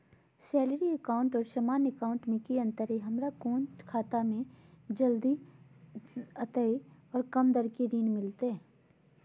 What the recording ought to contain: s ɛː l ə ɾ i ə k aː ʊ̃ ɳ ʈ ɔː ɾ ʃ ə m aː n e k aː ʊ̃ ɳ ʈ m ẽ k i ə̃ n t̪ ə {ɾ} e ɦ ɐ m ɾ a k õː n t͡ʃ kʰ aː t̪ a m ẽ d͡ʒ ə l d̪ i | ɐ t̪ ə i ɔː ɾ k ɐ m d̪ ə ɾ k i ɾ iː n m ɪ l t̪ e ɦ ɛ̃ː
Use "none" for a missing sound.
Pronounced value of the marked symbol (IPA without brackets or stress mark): ɾ